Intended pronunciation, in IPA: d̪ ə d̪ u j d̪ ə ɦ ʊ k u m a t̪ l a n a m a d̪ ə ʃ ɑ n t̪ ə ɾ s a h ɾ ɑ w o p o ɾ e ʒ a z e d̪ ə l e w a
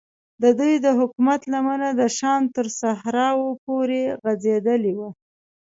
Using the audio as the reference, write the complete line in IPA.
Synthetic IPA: d̪ ə d̪ u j d̪ ə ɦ ʊ k u m a t̪ l a m a n a d̪ ə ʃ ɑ n t̪ ə ɾ s a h ɾ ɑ w o p o ɾ e ɣ a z e d̪ ə l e w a